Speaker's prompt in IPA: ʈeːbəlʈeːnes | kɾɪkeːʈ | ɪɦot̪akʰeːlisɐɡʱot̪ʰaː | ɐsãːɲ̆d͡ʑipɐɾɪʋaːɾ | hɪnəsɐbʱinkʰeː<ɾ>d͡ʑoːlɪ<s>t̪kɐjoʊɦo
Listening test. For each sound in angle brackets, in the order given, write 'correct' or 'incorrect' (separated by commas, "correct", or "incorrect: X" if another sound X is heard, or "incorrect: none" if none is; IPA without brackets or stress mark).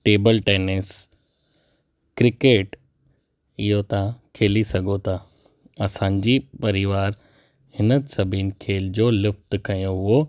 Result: incorrect: l, incorrect: f